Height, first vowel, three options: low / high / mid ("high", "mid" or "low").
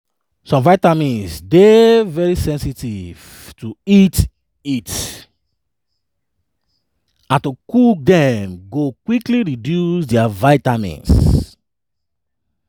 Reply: mid